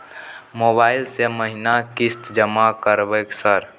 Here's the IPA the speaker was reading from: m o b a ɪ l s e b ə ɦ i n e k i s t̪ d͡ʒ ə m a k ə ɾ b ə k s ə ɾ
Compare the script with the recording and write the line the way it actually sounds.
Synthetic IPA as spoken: m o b a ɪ l s e m ə ɦ i n a k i s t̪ d͡ʒ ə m a k ə ɾ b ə k s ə ɾ

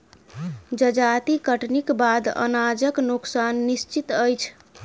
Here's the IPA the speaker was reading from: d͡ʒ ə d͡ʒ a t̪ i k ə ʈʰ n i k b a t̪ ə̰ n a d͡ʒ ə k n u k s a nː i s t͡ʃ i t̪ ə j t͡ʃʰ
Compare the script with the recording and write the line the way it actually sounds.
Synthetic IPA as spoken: d͡ʒ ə d͡ʒ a t̪ i k ə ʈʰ n i k b a d̪ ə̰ n a d͡ʒ ə k n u k s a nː i s t͡ʃ i t̪ ə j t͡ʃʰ

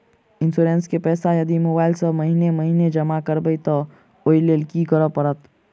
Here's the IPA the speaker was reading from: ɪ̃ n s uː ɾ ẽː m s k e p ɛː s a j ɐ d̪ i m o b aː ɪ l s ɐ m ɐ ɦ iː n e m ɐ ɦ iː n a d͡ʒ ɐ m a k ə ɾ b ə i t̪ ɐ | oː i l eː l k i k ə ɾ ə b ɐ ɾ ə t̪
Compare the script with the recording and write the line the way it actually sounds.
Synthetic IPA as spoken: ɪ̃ n s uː ɾ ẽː n s k e p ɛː s a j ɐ d̪ i m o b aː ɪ l s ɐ m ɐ ɦ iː n e m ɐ ɦ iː n e d͡ʒ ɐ m a k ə ɾ b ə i t̪ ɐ | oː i l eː l k i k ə ɾ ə p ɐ ɾ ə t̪

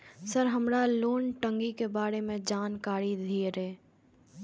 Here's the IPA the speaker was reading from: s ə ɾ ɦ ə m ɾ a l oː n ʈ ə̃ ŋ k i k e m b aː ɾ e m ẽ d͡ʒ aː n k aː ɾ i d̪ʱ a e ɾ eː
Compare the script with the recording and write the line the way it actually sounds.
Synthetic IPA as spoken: s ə ɾ ɦ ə m ɾ a l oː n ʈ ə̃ ŋ ɡ i k e b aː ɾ e m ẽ d͡ʒ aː n k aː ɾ i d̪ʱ i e ɾ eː

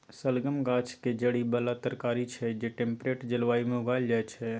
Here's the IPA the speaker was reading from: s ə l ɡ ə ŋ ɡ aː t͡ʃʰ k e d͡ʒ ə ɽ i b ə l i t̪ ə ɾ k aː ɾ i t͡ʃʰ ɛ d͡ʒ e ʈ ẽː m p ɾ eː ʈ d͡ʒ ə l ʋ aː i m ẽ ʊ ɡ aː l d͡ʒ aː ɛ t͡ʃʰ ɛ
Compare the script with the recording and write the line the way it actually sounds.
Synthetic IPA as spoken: s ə l ɡ ə m ɡ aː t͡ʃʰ k e d͡ʒ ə ɽ i b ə l a t̪ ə ɾ k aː ɾ i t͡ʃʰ ɛ d͡ʒ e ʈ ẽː m p ɾ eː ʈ d͡ʒ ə l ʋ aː i m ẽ ʊ ɡ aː l d͡ʒ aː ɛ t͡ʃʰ ɛ

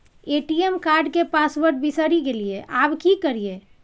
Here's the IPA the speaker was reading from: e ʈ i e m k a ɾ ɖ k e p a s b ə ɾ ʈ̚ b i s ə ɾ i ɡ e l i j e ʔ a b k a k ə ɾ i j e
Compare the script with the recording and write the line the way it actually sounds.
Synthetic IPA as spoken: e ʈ i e m k a ɾ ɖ k e p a s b ə ɾ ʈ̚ b i s ə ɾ i ɡ e l i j e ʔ a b k i k ə ɾ i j e

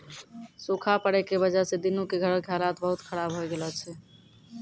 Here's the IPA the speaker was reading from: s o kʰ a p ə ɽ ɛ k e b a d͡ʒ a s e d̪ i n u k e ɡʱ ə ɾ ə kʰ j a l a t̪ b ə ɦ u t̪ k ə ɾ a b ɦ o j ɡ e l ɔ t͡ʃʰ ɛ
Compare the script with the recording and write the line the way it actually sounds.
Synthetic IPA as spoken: s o kʰ a p ə ɽ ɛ k e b ə d͡ʒ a s e d̪ i n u k e ɡʱ ə ɾ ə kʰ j a l a t̪ b ə ɦ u t̪ kʰ ə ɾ a b ɦ o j ɡ e l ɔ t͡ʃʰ ɛ

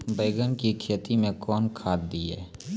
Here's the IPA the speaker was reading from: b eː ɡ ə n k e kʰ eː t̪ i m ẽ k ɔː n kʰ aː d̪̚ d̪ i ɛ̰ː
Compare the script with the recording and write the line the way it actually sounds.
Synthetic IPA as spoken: b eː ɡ ə n k i kʰ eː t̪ i m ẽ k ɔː n kʰ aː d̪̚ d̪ i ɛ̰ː

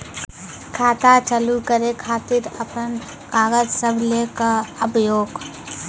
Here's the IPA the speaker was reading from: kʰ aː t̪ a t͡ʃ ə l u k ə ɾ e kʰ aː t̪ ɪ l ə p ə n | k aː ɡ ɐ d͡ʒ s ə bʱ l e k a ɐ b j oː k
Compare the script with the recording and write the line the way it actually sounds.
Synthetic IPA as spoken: kʰ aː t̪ a t͡ʃ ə l u k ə ɾ e kʰ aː t̪ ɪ ɾ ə p ə n | k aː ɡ ə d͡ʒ s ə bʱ l e k a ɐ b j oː ɡ

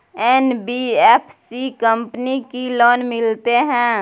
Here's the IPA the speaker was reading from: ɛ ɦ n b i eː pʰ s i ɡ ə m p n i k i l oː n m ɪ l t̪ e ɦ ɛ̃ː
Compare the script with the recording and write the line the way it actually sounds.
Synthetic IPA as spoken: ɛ n b i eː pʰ s i k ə m p n i k i l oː n m ɪ l t̪ e ɦ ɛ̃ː

